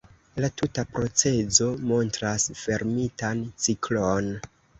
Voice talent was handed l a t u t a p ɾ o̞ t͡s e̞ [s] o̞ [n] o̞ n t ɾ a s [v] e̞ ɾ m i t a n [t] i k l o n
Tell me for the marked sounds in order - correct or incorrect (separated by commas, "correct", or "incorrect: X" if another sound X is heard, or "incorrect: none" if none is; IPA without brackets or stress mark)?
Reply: incorrect: z, incorrect: m, incorrect: f, incorrect: t͡s